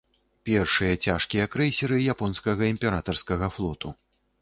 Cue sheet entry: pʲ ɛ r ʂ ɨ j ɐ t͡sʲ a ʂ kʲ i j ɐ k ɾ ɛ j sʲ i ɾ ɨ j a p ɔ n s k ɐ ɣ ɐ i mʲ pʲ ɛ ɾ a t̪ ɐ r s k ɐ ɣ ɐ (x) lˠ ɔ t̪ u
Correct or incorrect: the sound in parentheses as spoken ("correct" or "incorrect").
incorrect